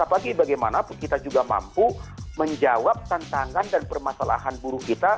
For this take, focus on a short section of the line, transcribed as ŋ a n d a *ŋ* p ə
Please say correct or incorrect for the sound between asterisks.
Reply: incorrect